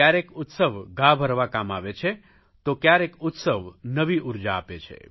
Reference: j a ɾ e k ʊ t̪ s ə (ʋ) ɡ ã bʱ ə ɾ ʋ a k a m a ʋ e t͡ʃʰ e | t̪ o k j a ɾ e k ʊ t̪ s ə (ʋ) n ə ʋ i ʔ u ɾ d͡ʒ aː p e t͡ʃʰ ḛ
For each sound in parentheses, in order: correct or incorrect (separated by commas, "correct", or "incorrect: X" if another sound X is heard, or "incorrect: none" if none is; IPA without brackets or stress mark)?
correct, correct